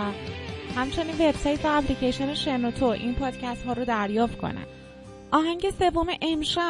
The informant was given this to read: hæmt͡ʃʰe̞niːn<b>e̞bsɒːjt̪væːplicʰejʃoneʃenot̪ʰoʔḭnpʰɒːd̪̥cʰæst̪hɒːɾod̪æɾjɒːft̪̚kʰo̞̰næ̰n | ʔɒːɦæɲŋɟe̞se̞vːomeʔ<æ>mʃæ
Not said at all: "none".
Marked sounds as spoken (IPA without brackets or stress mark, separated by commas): v, e